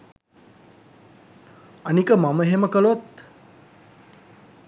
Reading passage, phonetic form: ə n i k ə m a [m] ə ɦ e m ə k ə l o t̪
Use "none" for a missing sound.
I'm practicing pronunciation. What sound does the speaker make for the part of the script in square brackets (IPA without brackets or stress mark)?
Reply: m